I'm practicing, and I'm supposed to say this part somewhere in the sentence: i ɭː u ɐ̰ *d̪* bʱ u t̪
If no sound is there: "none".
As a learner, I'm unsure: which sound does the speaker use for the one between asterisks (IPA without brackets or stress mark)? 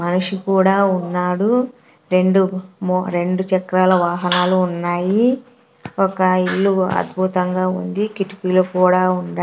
d̪